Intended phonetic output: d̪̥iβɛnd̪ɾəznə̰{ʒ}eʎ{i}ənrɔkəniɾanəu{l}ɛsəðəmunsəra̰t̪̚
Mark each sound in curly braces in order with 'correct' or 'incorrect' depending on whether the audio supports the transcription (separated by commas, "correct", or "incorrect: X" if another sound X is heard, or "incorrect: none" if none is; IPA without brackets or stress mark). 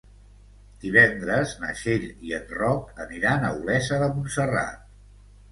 incorrect: ʃ, correct, correct